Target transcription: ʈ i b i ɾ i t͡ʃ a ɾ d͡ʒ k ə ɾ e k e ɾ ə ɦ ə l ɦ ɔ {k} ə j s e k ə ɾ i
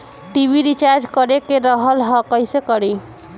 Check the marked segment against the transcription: correct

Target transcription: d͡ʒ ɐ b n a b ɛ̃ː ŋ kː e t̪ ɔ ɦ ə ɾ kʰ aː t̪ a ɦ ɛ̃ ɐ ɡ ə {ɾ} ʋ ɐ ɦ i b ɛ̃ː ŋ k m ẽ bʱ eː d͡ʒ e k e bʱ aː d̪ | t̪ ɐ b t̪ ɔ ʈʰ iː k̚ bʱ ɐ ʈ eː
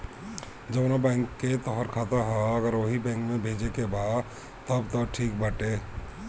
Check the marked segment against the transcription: correct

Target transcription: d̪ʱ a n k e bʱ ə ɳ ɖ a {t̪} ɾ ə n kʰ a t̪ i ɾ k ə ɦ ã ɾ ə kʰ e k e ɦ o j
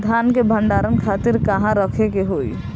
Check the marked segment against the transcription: incorrect: none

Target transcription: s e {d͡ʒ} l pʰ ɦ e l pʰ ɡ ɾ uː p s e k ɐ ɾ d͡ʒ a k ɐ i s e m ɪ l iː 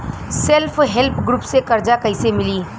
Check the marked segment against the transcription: incorrect: none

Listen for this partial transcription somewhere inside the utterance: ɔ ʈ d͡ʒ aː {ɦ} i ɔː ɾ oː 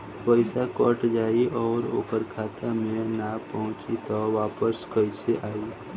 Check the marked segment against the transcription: incorrect: none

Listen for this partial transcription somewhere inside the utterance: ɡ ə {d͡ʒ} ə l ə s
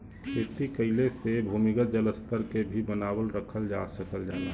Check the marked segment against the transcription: correct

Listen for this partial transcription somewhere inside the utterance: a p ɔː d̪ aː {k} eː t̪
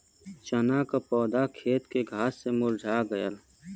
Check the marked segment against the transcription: incorrect: kʰ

